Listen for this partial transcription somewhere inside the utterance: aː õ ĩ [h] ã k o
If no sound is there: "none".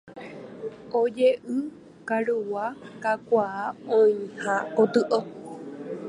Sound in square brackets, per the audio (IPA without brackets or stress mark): h